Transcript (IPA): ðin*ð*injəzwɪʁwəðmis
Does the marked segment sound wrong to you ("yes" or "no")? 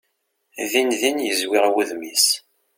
no